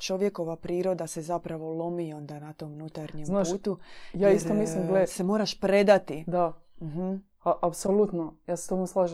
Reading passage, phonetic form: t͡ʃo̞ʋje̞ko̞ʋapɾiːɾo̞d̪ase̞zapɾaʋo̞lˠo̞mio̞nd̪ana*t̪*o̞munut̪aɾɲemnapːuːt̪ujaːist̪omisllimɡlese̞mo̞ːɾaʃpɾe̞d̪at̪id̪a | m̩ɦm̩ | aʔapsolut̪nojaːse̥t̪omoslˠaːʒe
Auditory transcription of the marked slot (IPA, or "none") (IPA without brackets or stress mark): t̪